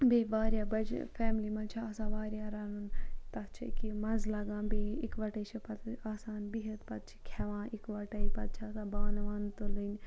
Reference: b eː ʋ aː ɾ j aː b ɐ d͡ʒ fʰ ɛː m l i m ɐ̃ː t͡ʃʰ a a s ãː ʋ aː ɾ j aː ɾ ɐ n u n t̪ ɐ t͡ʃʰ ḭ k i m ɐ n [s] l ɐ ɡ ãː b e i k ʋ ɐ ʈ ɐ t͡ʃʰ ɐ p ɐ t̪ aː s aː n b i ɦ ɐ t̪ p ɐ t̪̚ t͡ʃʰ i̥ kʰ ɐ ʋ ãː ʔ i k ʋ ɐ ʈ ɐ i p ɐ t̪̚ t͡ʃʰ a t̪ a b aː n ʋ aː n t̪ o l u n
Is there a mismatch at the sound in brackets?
yes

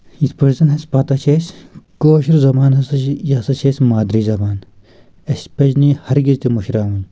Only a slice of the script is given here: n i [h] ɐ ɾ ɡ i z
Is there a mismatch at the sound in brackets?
no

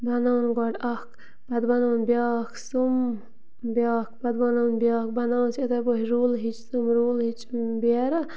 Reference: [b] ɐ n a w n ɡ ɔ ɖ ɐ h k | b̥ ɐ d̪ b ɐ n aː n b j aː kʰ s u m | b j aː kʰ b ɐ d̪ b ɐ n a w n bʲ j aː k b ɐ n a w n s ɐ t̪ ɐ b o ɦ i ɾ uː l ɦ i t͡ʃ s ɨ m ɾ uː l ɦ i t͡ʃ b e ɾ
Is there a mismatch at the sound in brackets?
no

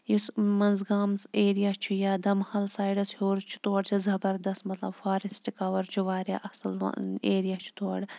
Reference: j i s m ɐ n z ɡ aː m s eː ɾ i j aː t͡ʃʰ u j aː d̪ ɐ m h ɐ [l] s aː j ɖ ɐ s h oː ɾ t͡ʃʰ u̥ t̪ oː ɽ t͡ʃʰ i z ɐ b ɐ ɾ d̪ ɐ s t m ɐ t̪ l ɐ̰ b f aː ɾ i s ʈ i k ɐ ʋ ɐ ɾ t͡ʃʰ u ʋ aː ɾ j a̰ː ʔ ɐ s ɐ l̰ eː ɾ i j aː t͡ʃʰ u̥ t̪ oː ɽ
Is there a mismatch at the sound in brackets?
no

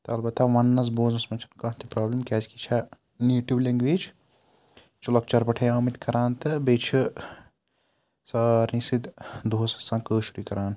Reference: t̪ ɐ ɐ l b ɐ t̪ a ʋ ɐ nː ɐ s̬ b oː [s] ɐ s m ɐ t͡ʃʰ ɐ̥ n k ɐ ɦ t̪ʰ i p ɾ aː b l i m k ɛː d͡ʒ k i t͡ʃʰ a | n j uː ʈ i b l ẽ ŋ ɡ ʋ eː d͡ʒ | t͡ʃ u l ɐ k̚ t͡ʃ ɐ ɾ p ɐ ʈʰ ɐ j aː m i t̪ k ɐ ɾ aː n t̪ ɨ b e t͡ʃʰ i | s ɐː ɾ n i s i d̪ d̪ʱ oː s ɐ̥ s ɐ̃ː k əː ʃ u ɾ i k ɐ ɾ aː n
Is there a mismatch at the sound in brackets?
yes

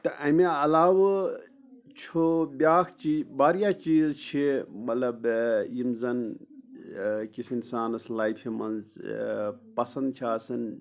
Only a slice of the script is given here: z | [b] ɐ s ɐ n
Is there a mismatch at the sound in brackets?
yes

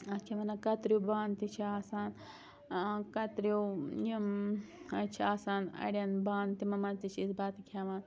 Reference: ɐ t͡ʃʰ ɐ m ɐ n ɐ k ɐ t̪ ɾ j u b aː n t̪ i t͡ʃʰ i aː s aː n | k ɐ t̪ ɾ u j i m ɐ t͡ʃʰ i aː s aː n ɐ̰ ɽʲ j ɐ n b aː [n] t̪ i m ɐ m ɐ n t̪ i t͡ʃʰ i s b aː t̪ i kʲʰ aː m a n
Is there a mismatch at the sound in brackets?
no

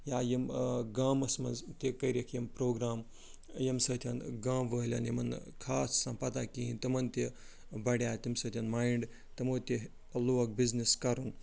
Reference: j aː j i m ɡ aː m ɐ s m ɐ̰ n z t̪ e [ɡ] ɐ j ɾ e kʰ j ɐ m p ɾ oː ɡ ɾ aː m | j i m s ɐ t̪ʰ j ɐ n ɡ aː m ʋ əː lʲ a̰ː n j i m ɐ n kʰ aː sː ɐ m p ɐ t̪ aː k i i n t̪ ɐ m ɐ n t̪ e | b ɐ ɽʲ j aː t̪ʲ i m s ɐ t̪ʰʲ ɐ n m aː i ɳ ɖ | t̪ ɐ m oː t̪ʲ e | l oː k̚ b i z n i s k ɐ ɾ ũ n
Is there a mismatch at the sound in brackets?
yes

